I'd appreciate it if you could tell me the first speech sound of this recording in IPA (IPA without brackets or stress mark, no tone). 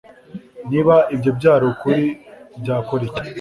n